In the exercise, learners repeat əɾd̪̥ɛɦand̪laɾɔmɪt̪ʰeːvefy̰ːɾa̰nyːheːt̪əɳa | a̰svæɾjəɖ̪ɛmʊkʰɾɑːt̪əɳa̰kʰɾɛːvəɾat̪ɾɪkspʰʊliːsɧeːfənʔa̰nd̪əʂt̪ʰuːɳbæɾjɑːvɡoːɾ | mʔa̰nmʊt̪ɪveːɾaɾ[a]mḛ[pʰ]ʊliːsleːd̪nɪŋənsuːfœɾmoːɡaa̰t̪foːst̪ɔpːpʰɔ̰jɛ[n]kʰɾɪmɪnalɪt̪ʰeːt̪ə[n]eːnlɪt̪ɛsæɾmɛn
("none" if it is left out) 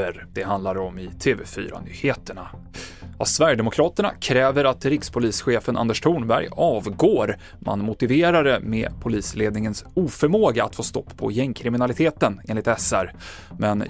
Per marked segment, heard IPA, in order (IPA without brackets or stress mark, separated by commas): ə, pʰ, ŋ, n